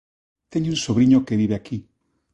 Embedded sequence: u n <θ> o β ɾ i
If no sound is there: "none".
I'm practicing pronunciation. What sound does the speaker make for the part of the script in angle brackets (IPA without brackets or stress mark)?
s